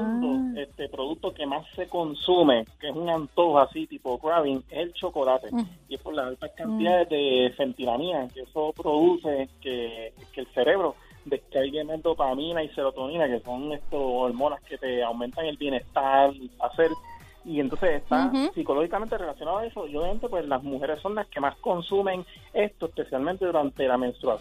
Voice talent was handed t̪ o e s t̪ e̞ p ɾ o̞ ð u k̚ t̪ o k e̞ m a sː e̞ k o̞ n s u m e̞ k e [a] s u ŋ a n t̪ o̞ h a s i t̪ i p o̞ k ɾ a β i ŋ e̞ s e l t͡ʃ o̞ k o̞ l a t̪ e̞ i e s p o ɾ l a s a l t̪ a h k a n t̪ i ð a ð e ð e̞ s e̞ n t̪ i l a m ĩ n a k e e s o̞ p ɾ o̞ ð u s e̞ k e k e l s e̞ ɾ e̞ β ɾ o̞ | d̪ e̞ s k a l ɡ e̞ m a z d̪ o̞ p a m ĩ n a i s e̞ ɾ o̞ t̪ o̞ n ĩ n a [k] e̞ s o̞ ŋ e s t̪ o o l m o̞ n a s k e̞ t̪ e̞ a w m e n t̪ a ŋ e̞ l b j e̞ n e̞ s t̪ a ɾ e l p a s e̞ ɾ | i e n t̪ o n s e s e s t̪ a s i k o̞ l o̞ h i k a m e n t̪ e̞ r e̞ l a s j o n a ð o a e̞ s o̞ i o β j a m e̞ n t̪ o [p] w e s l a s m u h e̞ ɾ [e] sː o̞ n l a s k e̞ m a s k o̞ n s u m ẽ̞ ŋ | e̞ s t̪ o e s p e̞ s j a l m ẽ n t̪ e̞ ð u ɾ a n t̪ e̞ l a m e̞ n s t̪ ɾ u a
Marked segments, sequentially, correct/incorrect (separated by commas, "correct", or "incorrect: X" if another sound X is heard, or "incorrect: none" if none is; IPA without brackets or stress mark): incorrect: e, correct, correct, correct